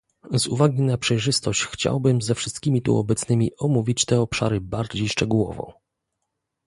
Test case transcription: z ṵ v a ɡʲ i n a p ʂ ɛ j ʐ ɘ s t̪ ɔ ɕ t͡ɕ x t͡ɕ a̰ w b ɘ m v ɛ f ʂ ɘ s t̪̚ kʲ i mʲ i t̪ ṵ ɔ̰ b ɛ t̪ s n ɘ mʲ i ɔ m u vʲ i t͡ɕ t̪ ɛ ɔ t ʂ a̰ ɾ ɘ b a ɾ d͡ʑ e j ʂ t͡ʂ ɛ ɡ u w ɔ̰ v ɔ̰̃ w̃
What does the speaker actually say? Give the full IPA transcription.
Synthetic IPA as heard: z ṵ v a ɡʲ i n a p ʂ ɛ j ʐ ɘ s t̪ ɔ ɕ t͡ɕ x t͡ɕ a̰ w b ɘ m z ɛ f ʂ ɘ s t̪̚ kʲ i mʲ i t̪ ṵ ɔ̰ b ɛ t̪ s n ɘ mʲ i ɔ m u vʲ i t͡ɕ t̪ ɛ ɔ p ʂ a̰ ɾ ɘ b a ɾ d͡ʑ e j ʂ t͡ʂ ɛ ɡ u w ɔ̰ v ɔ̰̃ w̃